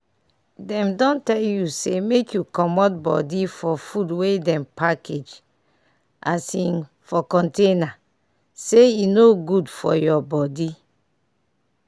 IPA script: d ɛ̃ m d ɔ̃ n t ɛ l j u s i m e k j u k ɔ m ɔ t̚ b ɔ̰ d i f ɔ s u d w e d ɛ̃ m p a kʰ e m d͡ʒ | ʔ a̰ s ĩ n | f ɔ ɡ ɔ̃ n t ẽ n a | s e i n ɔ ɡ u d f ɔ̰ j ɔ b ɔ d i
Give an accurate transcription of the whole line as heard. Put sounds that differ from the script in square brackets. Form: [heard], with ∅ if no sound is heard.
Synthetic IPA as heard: d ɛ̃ m d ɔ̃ n t ɛ l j u s [e] m e k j u k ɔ m ɔ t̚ b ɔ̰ d i f ɔ [f] u d w e d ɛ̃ m p a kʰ e [∅] d͡ʒ | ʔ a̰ s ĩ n | f ɔ [k] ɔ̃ n t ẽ n a | s e i n [o] ɡ u d f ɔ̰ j ɔ b ɔ d i

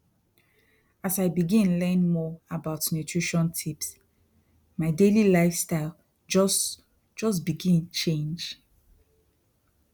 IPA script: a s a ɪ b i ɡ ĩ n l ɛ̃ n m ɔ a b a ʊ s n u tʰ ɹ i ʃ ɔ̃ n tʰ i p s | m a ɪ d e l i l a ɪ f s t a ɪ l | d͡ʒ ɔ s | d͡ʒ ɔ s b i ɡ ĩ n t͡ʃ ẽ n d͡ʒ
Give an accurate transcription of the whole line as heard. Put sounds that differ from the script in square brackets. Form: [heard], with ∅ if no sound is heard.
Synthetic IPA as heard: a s a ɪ b i ɡ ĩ n l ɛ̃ n m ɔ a b a ʊ [t] n u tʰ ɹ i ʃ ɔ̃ n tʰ i p s | m a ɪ d e l i l a ɪ f s t a ɪ l | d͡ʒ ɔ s | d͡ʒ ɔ s b i ɡ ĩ n t͡ʃ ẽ n d͡ʒ

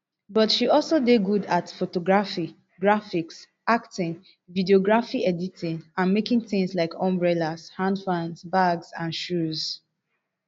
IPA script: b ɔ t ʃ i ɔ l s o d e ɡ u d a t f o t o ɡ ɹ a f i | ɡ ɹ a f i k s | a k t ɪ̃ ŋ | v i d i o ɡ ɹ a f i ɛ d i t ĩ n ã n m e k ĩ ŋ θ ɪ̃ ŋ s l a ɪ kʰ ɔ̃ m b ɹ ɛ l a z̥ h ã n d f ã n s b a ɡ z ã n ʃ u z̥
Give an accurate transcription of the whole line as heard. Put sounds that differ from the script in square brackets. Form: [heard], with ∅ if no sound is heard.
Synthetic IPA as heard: b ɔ t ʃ i ɔ l s o d e ɡ u d a t f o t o ɡ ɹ a f i | ɡ ɹ a f i k s | a k t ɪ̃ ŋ | v i d i o ɡ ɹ a f i ɛ d i t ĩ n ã n m e k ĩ ŋ θ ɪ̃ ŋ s l a ɪ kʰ ɔ̃ m b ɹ ɛ l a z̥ h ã n d f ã n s b a ɡ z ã n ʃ u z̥

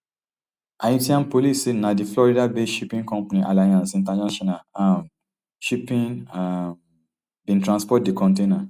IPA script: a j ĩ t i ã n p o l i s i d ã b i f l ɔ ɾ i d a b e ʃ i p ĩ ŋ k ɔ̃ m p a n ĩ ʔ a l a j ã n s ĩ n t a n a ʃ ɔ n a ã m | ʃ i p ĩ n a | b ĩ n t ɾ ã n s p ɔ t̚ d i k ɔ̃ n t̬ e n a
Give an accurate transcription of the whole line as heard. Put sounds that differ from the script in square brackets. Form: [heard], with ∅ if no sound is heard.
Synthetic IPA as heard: a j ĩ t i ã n p o l i s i [n] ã [d] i f l ɔ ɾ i d a b e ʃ i p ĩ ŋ k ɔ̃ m p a n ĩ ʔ a l a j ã n s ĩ n t a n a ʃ ɔ n a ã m | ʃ i p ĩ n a | b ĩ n t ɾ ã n s p ɔ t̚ d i k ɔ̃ n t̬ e n a

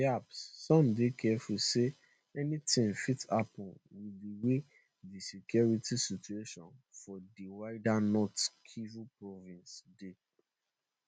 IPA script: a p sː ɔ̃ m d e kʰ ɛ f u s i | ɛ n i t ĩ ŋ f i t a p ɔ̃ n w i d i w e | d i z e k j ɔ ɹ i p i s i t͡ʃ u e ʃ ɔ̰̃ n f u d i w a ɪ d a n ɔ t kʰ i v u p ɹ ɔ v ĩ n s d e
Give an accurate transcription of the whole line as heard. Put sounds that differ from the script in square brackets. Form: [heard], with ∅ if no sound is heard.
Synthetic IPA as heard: a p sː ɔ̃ m d e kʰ ɛ f u s [e] | ɛ n i t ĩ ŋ f i t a p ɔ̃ n w i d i w e | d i [s] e k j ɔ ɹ i [t] i s i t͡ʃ u e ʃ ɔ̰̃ n f [ɔ] d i w a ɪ d a n ɔ t kʰ i v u p ɹ ɔ v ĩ n s d e

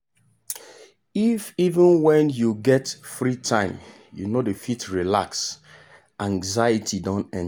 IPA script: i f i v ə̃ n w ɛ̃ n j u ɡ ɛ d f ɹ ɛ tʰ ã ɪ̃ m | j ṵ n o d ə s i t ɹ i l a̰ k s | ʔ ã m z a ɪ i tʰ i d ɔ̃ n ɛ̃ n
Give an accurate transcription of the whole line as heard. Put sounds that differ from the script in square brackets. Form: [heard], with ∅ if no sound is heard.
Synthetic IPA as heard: i f i v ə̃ n w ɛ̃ n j u ɡ ɛ [t] f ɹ [i] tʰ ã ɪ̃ m | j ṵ n o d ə [f] i t ɹ i l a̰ k s | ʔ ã [ŋ] z a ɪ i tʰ i d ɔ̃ n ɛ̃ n

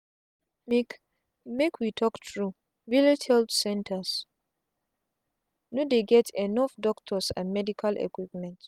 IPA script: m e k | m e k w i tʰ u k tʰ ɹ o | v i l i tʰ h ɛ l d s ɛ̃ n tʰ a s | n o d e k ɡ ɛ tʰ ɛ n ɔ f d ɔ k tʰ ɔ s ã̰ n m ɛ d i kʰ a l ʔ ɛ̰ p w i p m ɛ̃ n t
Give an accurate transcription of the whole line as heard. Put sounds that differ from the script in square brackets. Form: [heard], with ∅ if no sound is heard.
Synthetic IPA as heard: m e k | m e k w i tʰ [ɔ] k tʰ ɹ [u] | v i l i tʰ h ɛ l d s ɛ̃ n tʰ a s | n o d e [∅] ɡ ɛ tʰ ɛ n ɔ f d ɔ k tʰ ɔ s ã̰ n m ɛ d i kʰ a l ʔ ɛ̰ [k] w i p m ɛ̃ n t

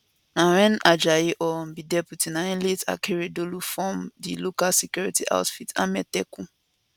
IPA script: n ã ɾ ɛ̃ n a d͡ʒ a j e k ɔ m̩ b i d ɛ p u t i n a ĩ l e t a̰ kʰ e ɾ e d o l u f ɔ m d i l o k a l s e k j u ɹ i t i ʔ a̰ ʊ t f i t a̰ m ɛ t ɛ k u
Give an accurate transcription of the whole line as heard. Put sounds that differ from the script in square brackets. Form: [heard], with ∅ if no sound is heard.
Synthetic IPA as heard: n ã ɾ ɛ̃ n a d͡ʒ a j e [ʔ] ɔ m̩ b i d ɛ p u t i n a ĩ l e t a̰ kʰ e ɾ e d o l u f ɔ m d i l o k a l s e k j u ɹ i t i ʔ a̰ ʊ t f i t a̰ m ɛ t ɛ k u

